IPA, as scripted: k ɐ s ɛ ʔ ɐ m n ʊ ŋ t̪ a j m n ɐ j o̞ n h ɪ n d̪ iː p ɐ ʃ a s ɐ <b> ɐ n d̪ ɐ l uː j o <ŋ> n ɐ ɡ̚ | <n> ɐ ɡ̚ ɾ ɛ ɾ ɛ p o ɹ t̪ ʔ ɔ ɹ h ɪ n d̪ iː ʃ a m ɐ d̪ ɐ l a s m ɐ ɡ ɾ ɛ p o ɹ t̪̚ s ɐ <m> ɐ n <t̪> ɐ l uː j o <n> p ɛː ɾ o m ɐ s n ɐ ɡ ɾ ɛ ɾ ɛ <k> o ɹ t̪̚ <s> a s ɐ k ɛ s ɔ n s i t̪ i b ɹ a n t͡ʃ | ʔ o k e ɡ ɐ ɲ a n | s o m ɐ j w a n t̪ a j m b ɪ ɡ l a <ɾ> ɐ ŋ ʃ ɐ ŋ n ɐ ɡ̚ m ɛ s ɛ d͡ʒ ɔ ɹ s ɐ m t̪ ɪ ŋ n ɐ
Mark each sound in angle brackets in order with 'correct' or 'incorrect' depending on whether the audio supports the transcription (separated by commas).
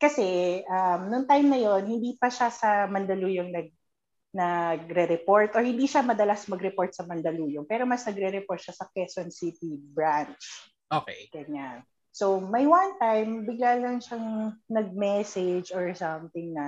incorrect, correct, correct, correct, incorrect, incorrect, incorrect, incorrect, incorrect